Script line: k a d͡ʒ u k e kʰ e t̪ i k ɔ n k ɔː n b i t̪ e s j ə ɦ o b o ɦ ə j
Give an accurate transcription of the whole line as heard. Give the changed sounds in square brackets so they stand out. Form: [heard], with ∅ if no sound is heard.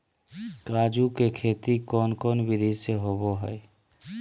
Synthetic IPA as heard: k a d͡ʒ u k e kʰ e t̪ i k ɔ n k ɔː n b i [d̪] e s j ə ɦ o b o ɦ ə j